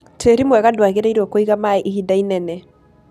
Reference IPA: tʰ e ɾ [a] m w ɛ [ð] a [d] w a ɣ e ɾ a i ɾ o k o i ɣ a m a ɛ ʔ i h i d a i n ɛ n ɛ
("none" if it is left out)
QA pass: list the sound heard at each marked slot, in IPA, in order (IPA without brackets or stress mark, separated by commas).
i, ɣ, d